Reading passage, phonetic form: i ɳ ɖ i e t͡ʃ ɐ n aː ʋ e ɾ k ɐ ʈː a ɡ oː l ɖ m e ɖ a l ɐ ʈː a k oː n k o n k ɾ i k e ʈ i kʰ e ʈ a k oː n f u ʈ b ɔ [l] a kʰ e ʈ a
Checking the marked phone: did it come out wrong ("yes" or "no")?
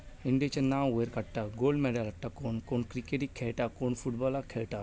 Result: no